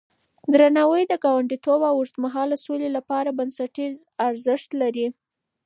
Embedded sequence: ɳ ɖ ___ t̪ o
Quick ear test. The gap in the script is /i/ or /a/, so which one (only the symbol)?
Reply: i